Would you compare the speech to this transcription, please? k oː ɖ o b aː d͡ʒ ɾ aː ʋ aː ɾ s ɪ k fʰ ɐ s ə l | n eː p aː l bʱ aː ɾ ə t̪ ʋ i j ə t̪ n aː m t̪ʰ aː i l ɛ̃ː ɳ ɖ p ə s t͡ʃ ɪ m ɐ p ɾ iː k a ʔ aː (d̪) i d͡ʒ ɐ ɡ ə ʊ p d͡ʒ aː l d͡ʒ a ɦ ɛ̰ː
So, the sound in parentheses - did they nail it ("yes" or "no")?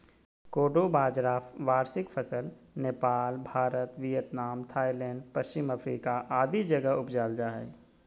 yes